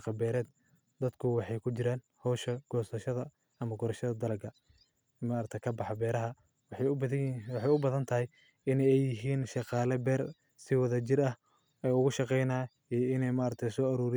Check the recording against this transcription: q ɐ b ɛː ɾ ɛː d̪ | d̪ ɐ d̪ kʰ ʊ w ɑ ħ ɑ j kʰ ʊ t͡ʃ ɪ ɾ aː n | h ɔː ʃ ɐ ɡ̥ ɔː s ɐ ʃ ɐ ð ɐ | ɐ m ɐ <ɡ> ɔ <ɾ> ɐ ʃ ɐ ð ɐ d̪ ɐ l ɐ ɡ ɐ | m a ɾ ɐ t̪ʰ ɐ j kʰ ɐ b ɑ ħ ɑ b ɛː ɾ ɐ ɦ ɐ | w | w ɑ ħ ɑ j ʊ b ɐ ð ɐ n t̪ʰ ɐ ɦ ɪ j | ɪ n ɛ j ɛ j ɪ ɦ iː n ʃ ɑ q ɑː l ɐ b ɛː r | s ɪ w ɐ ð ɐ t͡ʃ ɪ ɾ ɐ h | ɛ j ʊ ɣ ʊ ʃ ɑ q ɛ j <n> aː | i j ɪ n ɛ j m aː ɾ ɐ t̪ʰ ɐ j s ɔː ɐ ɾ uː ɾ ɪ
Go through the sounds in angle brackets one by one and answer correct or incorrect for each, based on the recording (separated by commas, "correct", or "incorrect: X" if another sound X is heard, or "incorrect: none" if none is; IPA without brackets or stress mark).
correct, correct, correct